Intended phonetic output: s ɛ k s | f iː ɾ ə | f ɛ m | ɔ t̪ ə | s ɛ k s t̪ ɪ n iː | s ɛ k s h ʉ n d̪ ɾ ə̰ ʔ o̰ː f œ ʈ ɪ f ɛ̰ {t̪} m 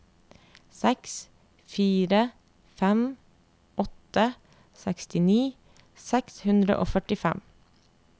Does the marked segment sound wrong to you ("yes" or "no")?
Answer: yes